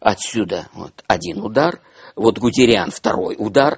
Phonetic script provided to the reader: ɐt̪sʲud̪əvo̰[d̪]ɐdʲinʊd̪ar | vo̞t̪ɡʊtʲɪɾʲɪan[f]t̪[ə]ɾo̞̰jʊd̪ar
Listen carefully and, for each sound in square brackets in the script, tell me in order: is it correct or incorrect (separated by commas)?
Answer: incorrect, correct, incorrect